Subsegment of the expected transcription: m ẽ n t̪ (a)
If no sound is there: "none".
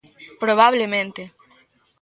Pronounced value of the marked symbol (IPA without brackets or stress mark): e